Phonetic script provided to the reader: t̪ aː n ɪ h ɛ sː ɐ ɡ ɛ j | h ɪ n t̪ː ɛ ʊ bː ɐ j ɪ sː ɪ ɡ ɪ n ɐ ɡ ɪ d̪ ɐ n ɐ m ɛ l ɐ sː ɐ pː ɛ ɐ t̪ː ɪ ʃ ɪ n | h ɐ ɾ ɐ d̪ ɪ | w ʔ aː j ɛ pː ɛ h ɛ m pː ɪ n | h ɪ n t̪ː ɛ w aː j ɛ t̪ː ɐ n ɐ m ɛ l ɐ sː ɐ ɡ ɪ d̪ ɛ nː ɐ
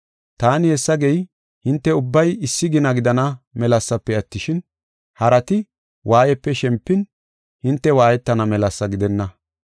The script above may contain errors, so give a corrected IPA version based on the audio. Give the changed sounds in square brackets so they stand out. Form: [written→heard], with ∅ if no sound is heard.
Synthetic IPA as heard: t̪ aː n ɪ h ɛ sː ɐ ɡ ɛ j | h ɪ n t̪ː ɛ ʊ bː ɐ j ɪ sː ɪ ɡ ɪ n ɐ ɡ ɪ d̪ ɐ n ɐ m ɛ l ɐ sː ɐ pː ɛ ɐ t̪ː ɪ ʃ ɪ n | h ɐ ɾ ɐ [d̪→t̪] ɪ | w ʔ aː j ɛ pː ɛ [h→ʃ] ɛ m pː ɪ n | h ɪ n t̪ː ɛ w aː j ɛ t̪ː ɐ n ɐ m ɛ l ɐ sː ɐ ɡ ɪ d̪ ɛ nː ɐ